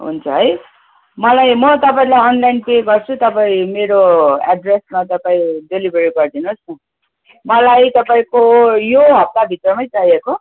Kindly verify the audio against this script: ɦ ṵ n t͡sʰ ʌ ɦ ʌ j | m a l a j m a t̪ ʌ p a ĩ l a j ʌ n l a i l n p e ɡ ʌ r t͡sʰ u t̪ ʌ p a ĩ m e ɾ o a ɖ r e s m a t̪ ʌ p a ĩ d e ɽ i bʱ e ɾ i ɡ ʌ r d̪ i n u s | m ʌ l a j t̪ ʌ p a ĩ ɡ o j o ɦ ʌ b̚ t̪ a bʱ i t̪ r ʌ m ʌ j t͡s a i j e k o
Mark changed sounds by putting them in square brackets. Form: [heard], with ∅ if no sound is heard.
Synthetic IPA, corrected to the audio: ɦ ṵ n t͡sʰ ʌ ɦ ʌ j | m [ʌ] l a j m [ʌ] t̪ ʌ p a ĩ l a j ʌ n l a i [∅] n p e ɡ ʌ r t͡sʰ u t̪ ʌ p a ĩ m e ɾ o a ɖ r e s m a t̪ ʌ p a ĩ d e [l] i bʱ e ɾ i ɡ ʌ r d̪ i n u s | m ʌ l a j t̪ ʌ p a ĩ [k] o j o ɦ ʌ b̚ t̪ a bʱ i t̪ r ʌ m ʌ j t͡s a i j e k o